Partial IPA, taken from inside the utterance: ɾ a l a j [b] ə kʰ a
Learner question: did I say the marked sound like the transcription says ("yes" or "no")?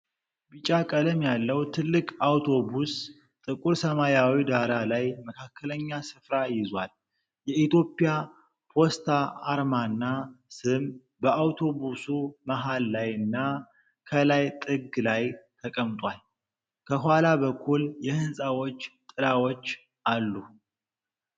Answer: no